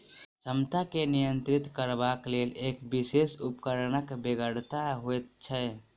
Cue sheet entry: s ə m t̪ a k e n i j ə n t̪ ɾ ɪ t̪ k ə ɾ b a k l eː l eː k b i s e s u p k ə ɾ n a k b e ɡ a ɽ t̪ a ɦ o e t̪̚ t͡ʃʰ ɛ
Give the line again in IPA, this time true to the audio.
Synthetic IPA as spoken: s ə m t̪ a k e n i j ə n t̪ ɾ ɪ t̪ k ə ɾ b a k l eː l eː k b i s e s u p k ə ɾ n ə k b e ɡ ə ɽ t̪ a ɦ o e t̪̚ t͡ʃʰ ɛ

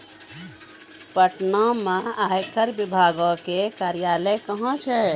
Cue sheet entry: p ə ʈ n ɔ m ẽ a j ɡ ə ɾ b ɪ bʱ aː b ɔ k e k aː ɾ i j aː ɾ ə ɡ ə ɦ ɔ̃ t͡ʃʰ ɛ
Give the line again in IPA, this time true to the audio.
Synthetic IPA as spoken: p ə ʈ n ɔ m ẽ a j k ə ɾ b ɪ bʱ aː ɡ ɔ k e k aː ɾ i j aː l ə k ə ɦ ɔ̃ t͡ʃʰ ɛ

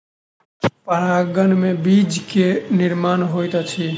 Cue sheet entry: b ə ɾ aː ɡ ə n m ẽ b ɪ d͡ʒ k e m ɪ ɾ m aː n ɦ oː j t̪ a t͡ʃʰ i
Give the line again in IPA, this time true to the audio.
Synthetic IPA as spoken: p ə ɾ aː ɡ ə n m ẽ b i d͡ʒ k e n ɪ ɾ m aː n ɦ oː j t̪ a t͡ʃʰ i

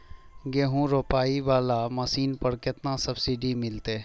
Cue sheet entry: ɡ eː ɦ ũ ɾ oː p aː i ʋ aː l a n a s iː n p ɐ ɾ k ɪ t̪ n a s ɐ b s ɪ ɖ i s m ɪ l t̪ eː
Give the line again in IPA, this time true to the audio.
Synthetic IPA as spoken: ɡ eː ɦ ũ ɾ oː p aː i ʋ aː l a m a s iː n p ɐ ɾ k ɪ t̪ n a s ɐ b s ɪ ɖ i m ɪ l t̪ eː

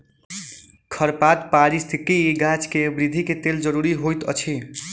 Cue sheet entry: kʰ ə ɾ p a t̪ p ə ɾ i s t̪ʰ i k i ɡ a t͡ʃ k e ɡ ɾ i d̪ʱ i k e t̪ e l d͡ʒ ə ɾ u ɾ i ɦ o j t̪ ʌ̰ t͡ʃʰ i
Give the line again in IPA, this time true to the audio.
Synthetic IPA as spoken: kʰ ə ɾ p a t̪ p a ɾ i s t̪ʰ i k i ɡ a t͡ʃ k e b ɾ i d̪ʱ i k e t̪ e l d͡ʒ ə ɾ u ɾ i ɦ o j t̪ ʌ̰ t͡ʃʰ i

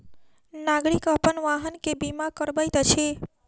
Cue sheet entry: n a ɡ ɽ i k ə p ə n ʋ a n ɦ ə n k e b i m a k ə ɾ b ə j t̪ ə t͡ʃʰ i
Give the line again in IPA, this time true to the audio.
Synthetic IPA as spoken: n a ɡ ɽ i k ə p ə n ʋ a ɦ ə n k e b i m a k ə ɾ b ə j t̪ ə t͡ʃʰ e

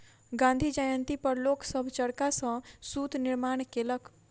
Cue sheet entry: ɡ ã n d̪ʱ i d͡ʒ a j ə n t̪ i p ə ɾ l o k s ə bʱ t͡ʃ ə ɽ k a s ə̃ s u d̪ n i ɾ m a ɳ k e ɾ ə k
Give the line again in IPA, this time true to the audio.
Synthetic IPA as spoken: ɡ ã n d̪ʱ i d͡ʒ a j ə n t̪ i p ə ɾ l o k s ə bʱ t͡ʃ ə ɽ k a s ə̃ s u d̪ n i ɾ m a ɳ k e l ə k

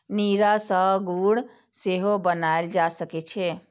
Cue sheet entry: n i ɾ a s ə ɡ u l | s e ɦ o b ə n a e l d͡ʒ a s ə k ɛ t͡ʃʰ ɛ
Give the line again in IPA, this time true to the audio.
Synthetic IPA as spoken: n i ɾ a s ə ɡ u ɽ | s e ɦ o b ə n a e l d͡ʒ a s ə k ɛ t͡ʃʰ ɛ

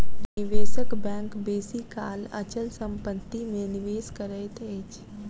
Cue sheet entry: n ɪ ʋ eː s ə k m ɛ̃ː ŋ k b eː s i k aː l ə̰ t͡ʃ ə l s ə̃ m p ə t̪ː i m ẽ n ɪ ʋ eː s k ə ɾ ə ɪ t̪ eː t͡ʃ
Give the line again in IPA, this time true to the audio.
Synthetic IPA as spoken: n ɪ ʋ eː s ə k b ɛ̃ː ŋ k b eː s i k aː l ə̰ t͡ʃ ə l s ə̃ m p ə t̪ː i m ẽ n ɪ ʋ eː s k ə ɾ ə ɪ t̪ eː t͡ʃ

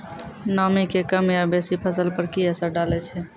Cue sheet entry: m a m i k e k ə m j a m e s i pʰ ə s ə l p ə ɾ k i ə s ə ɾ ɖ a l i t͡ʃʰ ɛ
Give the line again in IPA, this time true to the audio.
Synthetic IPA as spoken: n a m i k e k ə m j a b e s i pʰ ə s ə l p ə ɾ k i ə s ə ɾ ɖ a l ɛ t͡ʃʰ ɛ

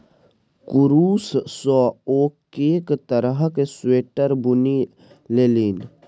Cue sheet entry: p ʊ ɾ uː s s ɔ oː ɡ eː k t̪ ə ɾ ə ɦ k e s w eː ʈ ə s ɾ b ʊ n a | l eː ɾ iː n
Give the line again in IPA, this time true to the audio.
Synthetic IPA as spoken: k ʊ ɾ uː s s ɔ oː k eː k t̪ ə ɾ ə ɦ k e s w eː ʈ ə ɾ b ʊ n i | l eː l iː n

